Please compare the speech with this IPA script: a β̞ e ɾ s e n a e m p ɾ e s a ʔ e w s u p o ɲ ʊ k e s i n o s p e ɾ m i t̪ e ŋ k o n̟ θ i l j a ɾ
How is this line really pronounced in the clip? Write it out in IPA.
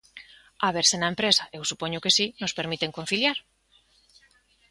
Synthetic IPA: a β̞ e ɾ s e n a e m p ɾ e s a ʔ e w s u p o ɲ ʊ k e s i n o s p e ɾ m i t̪ e ŋ k o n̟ θ i l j a ɾ